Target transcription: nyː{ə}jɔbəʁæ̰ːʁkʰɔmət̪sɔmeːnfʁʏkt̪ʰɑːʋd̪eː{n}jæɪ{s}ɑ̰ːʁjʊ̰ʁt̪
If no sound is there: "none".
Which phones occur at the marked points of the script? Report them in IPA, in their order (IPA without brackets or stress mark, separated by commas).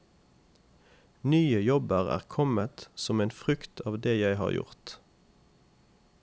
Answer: ə, none, h